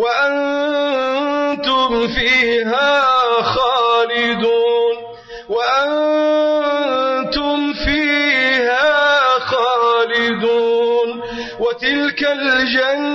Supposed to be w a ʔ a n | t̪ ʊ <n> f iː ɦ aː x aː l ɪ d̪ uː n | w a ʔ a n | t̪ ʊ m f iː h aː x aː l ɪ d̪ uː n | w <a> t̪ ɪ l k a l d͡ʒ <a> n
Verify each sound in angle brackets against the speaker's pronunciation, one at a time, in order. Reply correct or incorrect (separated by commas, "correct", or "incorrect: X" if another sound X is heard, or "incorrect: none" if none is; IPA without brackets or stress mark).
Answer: incorrect: m, correct, correct